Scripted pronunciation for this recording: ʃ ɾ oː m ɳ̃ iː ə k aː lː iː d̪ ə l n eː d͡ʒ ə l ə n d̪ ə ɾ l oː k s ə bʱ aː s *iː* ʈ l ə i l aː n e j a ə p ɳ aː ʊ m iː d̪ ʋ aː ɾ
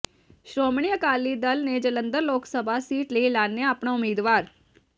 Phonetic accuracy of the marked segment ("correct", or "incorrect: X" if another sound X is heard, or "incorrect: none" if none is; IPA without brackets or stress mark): correct